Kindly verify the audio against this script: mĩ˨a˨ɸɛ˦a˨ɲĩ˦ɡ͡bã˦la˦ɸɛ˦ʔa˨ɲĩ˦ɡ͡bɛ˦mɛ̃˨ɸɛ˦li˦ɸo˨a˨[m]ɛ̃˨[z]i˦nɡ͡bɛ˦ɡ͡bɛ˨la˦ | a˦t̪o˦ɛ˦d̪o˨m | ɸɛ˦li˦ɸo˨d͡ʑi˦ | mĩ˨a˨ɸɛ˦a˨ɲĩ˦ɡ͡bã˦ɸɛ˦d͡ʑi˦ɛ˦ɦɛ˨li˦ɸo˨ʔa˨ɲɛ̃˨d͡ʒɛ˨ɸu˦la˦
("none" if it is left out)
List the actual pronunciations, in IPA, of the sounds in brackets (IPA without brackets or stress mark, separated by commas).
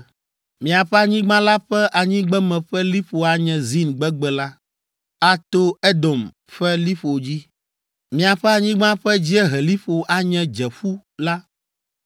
ɲ, z